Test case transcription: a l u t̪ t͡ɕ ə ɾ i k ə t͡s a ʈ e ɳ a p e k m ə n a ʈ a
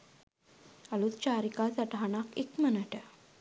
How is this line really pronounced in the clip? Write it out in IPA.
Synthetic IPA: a l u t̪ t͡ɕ a ɾ i k a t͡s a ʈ a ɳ a k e k m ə n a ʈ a